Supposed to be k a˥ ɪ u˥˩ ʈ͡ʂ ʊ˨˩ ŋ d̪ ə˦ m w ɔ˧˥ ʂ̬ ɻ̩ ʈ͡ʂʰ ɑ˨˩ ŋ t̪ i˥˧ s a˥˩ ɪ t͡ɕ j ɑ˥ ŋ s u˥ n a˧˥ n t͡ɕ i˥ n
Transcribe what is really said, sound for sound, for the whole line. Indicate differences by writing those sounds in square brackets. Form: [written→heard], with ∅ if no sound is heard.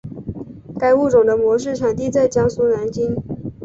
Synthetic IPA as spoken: k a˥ ɪ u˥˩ ʈ͡ʂ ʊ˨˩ ŋ d̪ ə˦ m w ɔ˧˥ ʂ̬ ɻ̩ ʈ͡ʂʰ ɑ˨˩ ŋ t̪ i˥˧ [s→t͡s] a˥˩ ɪ t͡ɕ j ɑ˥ ŋ s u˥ n a˧˥ n t͡ɕ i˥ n